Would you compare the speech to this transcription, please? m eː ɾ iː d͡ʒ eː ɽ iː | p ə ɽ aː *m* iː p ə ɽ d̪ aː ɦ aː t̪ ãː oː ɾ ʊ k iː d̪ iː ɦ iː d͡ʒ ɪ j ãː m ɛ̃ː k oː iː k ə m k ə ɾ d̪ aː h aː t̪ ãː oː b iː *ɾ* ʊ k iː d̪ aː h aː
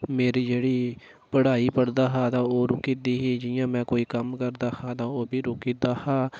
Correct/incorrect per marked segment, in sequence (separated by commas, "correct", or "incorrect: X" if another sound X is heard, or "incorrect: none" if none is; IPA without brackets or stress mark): incorrect: none, correct